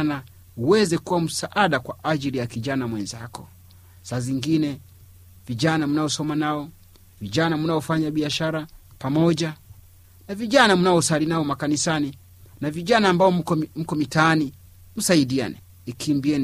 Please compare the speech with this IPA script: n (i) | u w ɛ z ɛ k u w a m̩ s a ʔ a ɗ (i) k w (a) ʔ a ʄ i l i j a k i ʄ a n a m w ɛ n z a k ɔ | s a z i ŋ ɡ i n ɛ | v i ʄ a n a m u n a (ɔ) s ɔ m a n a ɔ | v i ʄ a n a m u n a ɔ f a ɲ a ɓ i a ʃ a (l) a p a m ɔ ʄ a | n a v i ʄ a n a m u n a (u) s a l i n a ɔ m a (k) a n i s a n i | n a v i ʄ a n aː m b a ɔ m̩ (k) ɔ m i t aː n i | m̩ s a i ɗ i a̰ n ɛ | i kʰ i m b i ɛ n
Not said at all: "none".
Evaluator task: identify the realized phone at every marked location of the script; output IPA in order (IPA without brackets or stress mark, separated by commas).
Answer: a, a, a, ɔ, ɾ, ɔ, k, k